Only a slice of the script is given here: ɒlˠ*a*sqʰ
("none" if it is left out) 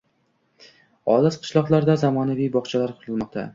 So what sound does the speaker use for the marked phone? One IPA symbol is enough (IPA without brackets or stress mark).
a